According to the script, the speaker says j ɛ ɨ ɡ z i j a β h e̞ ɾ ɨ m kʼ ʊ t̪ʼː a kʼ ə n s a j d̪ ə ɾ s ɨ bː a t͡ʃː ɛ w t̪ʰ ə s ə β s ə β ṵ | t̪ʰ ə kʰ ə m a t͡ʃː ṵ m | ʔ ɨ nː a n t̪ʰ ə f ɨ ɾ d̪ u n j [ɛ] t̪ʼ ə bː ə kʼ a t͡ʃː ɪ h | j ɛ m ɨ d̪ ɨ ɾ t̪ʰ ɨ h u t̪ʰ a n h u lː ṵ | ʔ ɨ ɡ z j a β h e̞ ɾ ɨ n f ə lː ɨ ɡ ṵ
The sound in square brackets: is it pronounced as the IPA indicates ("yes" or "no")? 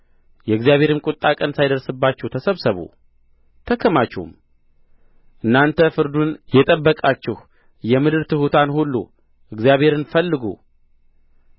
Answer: yes